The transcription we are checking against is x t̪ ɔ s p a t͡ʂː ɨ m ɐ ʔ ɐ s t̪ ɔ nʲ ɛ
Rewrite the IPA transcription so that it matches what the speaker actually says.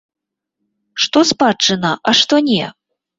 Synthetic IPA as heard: ʂ t̪ ɔ s p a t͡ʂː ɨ n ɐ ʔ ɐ ʂ t̪ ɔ nʲ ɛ